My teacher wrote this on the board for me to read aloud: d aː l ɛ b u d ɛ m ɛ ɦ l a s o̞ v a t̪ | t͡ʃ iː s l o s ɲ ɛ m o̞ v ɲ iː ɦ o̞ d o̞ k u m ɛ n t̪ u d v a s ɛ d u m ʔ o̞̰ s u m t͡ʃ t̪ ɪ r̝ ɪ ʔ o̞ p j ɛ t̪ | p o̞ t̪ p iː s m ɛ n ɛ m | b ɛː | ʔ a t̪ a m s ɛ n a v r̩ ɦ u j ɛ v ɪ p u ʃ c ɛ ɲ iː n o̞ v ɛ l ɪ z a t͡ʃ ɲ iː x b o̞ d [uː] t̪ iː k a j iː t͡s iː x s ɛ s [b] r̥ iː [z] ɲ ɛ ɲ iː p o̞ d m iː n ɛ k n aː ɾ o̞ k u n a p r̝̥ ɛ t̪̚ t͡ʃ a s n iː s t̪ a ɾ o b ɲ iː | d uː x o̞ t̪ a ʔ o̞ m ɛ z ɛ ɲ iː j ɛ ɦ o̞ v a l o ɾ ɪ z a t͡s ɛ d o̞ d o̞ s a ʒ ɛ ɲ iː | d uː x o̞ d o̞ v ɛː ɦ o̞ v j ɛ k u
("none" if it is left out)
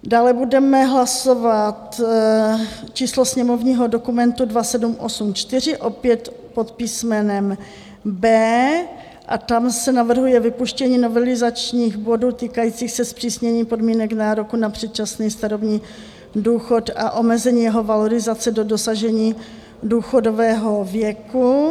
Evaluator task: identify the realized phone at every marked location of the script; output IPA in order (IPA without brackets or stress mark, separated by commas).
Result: uː, p, s